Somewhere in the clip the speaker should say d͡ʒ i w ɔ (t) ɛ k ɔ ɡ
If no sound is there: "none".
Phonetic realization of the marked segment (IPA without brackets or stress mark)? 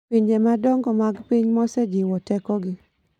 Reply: t